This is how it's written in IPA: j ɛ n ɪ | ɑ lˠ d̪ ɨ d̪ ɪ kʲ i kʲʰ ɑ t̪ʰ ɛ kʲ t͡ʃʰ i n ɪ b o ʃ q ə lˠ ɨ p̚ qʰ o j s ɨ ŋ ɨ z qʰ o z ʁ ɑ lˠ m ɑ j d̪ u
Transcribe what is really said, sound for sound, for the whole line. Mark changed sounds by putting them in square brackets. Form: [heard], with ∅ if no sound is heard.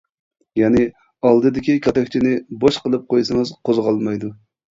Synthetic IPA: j ɛ n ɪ | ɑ lˠ d̪ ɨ d̪ ɪ kʲ i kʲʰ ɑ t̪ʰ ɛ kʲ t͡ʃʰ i n ɪ b o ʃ q ə lˠ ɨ p̚ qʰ o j s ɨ ŋ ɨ z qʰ o z ʁ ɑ lˠ m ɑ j d̪ u

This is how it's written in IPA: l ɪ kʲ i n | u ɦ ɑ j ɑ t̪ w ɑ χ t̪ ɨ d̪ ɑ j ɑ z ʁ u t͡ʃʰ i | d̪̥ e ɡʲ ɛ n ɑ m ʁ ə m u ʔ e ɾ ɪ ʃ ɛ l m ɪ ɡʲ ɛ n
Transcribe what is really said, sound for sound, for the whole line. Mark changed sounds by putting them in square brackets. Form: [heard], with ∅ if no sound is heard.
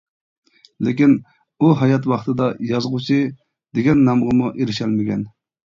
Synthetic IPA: l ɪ kʲ i n | u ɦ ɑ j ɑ t̪ w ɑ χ t̪ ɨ d̪ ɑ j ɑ z ʁ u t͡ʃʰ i | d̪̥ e ɡʲ ɛ [nː] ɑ m ʁ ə m u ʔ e ɾ ɪ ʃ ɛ l m ɪ ɡʲ ɛ n

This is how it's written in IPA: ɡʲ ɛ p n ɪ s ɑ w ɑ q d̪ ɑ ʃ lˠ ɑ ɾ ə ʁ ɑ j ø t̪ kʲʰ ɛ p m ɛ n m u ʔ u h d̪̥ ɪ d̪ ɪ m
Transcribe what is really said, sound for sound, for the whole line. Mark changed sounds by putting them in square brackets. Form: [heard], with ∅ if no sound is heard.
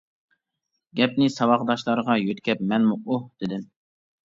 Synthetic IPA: ɡʲ ɛ p n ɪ s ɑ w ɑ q d̪ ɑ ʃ lˠ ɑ ɾ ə ʁ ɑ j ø t̪ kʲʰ ɛ p m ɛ n m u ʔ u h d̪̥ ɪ d̪ ɪ m

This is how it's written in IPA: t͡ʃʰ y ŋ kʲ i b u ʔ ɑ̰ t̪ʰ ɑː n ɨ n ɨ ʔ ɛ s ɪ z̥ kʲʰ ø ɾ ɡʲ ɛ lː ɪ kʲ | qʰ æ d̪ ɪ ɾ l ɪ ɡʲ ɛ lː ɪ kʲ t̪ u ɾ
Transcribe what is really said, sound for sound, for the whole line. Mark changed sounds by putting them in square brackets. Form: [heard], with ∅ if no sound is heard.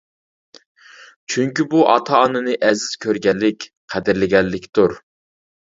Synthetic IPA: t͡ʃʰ y ŋ kʲ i b u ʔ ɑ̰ t̪ʰ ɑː n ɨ n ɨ ʔ ɛ [z] ɪ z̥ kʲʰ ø ɾ ɡʲ ɛ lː ɪ kʲ | qʰ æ d̪ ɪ ɾ l ɪ ɡʲ ɛ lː ɪ kʲ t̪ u ɾ

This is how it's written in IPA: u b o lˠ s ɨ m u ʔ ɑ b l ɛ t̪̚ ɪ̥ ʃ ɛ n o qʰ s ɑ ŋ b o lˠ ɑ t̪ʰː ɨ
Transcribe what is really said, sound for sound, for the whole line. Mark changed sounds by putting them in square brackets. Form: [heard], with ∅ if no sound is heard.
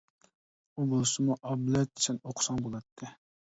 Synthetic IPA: u b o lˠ s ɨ m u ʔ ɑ b l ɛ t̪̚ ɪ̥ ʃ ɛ n o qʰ s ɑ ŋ b o lˠ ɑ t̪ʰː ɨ

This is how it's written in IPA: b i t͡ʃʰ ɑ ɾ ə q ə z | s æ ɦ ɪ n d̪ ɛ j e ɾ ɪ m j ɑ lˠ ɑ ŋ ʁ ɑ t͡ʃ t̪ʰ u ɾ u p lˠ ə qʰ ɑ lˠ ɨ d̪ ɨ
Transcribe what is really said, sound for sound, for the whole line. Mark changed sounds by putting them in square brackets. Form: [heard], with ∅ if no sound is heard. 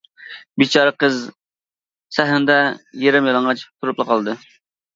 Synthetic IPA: b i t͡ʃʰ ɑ ɾ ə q ə z | s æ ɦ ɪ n d̪ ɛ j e ɾ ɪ m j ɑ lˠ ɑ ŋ ʁ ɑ t͡ʃ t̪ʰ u ɾ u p lˠ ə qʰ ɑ lˠ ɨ d̪ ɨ

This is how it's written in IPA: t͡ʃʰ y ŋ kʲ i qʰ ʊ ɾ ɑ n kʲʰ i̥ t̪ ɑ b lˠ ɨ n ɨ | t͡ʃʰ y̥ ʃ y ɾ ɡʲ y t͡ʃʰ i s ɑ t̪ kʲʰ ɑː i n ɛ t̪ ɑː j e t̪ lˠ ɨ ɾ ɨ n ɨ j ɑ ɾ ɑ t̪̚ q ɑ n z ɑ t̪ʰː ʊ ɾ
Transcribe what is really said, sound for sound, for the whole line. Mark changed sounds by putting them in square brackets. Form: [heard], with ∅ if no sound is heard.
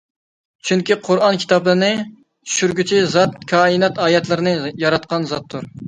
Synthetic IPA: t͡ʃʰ y ŋ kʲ i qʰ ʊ ɾ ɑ n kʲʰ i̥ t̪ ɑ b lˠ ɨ n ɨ | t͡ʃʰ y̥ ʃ y ɾ ɡʲ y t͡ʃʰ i [z] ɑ t̪ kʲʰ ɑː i n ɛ t̪ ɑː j [ɛ] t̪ lˠ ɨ ɾ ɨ n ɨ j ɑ ɾ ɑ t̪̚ q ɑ n z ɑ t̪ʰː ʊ ɾ

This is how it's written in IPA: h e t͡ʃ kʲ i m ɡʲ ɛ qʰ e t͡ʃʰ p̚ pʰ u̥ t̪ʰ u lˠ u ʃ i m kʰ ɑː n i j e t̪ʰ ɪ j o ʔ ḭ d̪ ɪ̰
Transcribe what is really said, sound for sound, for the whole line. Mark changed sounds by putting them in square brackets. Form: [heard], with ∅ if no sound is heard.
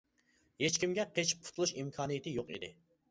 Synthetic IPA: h e t͡ʃ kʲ i m ɡʲ ɛ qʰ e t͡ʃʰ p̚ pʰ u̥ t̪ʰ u lˠ u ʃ i m kʰ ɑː n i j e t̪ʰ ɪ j o [q] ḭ d̪ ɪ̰

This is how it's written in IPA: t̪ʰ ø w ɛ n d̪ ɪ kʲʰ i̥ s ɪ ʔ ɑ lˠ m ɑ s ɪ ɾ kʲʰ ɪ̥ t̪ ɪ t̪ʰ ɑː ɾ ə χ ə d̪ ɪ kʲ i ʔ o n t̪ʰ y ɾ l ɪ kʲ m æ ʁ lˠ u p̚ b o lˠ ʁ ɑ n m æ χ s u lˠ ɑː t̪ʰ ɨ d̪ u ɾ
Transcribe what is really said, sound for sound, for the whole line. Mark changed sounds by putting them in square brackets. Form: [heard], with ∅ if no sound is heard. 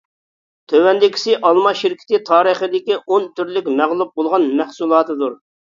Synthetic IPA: t̪ʰ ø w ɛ n d̪ ɪ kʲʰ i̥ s ɪ ʔ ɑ lˠ m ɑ [ʃ] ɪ ɾ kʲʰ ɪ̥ t̪ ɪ t̪ʰ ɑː ɾ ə χ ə d̪ ɪ kʲ i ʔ o n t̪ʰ y ɾ l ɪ kʲ m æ ʁ lˠ u p̚ b o lˠ ʁ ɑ n m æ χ s u lˠ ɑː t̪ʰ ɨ d̪ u ɾ

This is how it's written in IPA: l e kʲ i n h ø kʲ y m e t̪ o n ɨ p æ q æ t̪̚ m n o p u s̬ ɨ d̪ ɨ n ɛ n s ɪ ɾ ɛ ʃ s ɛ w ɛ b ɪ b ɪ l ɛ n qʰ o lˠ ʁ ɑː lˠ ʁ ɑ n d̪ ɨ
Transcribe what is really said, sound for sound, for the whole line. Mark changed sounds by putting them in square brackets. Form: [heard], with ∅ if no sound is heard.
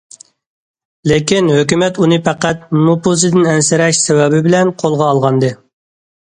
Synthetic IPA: l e kʲ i n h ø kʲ y m [ɛ] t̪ [u] n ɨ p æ q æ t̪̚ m n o p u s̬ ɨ d̪ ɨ n ɛ n s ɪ ɾ ɛ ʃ s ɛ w ɛ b ɪ b ɪ l ɛ n qʰ o lˠ ʁ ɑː lˠ ʁ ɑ n d̪ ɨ

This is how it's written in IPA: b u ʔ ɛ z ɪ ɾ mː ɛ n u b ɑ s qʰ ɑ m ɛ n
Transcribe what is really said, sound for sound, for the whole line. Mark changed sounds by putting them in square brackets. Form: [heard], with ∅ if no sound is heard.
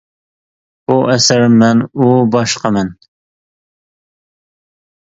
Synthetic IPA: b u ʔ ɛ [s] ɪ ɾ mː ɛ n u b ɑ [ʃ] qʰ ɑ m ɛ n

